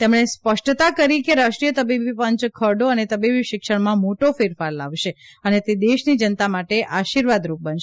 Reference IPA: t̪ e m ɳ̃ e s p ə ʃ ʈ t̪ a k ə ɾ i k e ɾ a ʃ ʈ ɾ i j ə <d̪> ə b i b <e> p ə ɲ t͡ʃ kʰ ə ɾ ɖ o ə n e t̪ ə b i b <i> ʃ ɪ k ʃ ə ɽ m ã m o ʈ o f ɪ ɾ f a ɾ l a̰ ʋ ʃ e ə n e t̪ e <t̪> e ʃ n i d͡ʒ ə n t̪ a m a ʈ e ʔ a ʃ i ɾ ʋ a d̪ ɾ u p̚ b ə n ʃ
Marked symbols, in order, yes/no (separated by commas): no, no, yes, no